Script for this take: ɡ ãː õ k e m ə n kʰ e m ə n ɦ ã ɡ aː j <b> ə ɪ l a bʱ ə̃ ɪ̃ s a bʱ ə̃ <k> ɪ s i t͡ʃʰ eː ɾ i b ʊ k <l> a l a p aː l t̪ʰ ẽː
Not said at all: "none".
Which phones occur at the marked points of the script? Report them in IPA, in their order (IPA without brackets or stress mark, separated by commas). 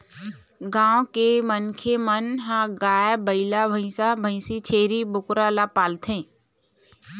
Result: b, none, ɾ